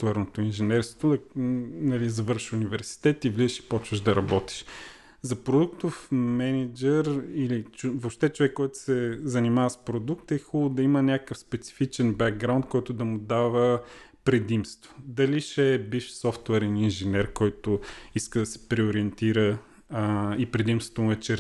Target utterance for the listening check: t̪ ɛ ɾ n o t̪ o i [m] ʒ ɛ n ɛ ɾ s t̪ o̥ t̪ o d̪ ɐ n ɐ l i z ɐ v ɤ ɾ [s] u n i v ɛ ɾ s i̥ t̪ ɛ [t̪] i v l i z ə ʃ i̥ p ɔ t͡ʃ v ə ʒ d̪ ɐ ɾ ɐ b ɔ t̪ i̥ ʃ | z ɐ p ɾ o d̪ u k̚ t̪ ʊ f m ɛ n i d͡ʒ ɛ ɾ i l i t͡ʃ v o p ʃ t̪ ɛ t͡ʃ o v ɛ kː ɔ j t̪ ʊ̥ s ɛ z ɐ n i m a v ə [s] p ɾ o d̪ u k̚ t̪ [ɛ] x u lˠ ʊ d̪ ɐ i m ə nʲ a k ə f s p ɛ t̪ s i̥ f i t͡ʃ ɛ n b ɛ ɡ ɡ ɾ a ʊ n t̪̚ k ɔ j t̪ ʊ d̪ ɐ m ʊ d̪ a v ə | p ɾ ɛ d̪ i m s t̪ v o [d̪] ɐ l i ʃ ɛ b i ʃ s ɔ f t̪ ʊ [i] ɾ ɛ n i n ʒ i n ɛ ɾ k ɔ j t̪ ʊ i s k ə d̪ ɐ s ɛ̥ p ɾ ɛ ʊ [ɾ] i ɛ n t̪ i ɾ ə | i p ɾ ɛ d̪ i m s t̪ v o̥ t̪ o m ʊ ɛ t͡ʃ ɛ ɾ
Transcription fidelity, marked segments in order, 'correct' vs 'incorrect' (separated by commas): incorrect, incorrect, correct, correct, correct, correct, incorrect, correct